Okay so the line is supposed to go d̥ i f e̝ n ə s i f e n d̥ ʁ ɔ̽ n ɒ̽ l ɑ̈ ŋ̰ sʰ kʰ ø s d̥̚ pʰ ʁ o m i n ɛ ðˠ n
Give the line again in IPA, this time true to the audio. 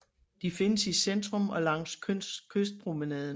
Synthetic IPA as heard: d̥ i f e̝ n ə s i s e n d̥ ʁ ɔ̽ m ɒ̽ l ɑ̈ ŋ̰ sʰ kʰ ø s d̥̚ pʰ ʁ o m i n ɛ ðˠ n